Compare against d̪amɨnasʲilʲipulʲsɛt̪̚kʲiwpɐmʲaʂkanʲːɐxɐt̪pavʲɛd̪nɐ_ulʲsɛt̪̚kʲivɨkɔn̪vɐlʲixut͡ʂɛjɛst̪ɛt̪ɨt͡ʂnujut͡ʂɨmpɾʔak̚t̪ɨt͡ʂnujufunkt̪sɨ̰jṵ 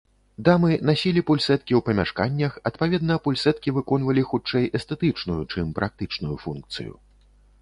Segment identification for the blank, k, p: p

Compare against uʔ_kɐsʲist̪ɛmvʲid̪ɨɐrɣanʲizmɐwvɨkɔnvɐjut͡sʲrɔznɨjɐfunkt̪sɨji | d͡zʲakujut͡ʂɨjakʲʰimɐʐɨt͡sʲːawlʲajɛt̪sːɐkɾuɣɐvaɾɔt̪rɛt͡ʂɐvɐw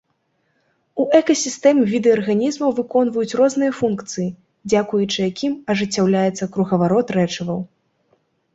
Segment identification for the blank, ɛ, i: ɛ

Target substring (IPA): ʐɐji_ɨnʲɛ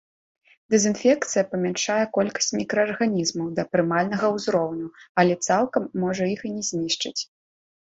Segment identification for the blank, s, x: x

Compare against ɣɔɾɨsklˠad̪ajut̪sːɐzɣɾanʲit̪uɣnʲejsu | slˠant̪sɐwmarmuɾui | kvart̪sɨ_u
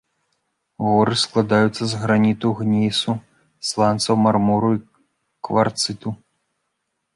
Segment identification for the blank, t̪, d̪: t̪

